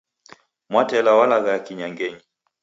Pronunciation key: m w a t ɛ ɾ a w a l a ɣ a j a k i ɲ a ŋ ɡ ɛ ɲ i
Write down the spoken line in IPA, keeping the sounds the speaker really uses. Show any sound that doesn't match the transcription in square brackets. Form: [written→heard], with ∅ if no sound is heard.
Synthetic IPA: m w a t ɛ [ɾ→l] a w a l a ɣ a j a k i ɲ a ŋ ɡ ɛ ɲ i